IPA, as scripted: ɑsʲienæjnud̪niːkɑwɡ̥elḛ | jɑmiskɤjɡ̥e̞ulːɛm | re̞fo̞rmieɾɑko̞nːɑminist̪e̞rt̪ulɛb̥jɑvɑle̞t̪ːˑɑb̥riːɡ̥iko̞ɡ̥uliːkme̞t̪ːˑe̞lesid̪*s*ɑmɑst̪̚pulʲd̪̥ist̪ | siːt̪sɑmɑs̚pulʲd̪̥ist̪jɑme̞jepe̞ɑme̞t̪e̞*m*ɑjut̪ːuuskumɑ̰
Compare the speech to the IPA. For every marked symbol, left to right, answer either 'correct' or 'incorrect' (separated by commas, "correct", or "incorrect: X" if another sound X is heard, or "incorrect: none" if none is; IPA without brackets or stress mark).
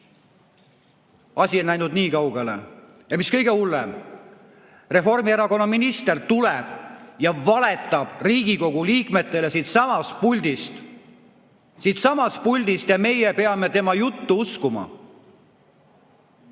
correct, correct